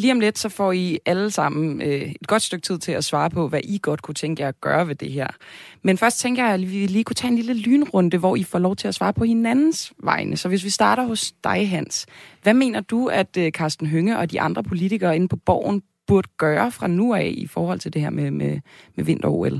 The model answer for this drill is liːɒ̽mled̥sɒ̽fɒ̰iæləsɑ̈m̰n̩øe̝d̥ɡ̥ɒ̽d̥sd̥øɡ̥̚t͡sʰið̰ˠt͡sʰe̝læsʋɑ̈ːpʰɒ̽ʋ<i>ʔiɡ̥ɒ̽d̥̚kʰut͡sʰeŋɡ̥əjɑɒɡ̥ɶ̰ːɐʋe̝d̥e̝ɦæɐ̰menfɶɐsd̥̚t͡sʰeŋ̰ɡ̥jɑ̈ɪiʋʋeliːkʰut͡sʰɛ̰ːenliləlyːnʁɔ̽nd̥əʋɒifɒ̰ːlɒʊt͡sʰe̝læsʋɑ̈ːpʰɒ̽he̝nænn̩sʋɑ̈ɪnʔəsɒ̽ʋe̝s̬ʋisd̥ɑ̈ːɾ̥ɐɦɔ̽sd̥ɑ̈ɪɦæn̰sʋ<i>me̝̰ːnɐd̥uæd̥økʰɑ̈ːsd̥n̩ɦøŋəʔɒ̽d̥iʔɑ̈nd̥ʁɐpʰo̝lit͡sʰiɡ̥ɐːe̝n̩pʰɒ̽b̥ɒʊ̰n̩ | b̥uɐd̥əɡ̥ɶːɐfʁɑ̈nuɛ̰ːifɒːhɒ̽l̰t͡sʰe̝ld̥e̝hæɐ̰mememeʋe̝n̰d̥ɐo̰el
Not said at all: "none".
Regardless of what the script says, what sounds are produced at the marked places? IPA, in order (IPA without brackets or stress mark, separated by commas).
æ, æ